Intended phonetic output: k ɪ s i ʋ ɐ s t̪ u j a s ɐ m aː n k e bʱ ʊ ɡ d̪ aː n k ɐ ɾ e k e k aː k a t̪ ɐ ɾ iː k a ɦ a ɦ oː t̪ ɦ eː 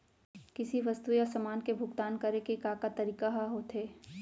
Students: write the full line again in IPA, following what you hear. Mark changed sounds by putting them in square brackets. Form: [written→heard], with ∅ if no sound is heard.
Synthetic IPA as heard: k ɪ s i ʋ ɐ s t̪ u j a s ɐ m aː n k e bʱ ʊ ɡ [d̪→t̪] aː n k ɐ ɾ e k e k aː k a t̪ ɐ ɾ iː k a ɦ a ɦ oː t̪ ɦ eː